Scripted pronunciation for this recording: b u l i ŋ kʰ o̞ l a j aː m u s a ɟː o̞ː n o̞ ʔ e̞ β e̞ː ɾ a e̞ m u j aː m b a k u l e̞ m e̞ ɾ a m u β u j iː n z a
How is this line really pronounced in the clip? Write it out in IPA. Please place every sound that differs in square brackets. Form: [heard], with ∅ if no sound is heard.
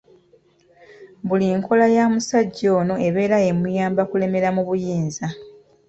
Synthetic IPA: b u l i ŋ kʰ o̞ l a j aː m u s a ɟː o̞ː n o̞ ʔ e̞ β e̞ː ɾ a e̞ m u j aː m b a k u l e̞ m e̞ ɾ a m u β u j iː n z a